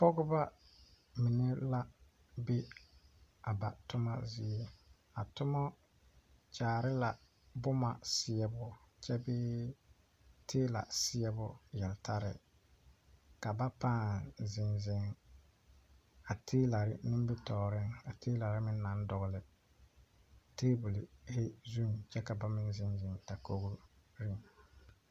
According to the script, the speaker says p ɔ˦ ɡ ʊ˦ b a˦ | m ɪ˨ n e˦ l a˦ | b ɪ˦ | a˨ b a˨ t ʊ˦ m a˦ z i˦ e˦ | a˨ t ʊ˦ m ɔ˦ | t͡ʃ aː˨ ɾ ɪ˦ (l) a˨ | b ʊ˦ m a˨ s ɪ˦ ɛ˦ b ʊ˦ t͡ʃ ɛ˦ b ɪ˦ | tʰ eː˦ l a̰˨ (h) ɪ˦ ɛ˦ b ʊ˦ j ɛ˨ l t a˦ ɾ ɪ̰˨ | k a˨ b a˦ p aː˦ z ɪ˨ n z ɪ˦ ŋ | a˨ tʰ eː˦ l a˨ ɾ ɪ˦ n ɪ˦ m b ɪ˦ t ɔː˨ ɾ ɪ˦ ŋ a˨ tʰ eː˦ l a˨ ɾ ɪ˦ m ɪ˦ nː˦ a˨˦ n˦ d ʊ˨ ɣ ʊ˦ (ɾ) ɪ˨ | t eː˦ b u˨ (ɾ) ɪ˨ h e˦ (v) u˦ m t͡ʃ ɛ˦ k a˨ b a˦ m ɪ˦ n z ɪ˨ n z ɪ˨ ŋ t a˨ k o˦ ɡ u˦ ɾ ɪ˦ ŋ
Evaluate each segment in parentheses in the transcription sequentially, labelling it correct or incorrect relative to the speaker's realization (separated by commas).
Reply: correct, incorrect, incorrect, incorrect, incorrect